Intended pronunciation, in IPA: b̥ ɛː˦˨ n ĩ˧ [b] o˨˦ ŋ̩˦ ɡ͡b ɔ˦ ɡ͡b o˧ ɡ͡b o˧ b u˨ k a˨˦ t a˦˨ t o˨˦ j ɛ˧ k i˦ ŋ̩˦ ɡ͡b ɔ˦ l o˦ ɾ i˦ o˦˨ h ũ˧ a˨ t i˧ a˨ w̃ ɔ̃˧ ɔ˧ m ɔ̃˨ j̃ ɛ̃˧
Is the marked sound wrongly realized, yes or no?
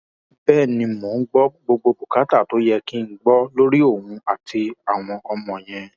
yes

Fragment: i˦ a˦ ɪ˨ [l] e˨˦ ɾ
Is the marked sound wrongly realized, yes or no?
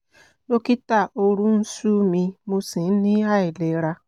no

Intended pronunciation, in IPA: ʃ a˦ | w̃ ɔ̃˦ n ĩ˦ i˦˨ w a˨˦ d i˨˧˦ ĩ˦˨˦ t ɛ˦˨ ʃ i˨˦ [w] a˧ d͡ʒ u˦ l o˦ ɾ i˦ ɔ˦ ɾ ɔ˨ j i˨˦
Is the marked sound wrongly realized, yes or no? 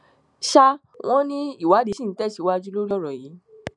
no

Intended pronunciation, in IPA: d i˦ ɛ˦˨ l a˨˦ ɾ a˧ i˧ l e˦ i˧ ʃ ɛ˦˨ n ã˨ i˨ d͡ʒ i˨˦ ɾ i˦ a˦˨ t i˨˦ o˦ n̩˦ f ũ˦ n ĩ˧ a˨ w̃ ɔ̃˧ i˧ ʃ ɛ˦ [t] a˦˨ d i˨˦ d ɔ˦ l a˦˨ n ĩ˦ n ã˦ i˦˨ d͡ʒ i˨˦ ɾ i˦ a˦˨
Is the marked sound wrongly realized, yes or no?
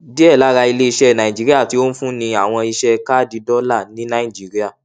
yes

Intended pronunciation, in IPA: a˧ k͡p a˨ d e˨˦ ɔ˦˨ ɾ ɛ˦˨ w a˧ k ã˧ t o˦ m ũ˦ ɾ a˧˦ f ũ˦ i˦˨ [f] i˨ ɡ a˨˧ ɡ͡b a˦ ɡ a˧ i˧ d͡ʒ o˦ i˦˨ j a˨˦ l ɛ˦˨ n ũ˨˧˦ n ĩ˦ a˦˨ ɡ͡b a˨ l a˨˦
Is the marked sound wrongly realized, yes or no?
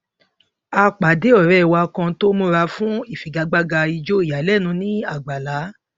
no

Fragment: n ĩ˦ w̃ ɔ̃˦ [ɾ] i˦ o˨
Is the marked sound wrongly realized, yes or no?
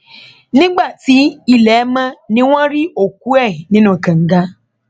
no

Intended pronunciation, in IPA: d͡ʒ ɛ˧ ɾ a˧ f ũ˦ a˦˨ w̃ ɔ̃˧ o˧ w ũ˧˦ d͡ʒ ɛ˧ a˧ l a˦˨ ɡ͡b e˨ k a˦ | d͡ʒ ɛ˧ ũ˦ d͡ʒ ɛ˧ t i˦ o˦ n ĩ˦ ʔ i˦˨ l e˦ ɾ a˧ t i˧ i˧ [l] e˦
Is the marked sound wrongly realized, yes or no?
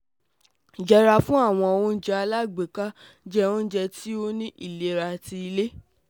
no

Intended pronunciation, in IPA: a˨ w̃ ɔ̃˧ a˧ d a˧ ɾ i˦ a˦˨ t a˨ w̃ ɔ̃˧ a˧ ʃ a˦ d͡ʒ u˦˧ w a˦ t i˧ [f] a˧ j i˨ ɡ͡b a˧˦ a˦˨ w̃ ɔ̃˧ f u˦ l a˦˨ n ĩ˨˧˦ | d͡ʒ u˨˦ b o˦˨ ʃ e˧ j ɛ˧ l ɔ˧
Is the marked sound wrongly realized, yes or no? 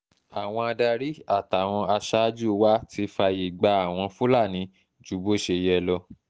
no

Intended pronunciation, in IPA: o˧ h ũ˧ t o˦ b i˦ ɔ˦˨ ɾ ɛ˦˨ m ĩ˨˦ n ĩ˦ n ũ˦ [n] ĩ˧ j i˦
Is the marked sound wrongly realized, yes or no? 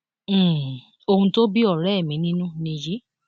no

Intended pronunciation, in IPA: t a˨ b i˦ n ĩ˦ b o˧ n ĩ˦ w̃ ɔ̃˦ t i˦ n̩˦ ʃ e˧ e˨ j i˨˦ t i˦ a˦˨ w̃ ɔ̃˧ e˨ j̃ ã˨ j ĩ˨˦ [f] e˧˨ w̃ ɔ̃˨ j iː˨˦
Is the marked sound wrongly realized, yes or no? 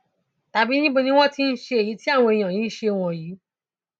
yes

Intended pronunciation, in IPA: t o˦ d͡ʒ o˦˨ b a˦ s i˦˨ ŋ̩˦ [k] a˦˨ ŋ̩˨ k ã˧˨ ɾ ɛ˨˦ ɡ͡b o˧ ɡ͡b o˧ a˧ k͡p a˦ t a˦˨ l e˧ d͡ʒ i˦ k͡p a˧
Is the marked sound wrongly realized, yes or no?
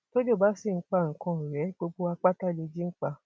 yes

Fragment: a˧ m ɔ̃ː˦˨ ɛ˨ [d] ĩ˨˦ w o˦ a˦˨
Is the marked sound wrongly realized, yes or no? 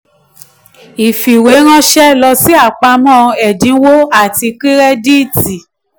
no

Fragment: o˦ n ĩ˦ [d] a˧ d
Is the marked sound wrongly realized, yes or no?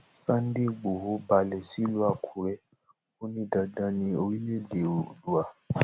no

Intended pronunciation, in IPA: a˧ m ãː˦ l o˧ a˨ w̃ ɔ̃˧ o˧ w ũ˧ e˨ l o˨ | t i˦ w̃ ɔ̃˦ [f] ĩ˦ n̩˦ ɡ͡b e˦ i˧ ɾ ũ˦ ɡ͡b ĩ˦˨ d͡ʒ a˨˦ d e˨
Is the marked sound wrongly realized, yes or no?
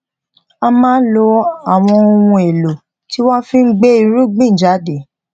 no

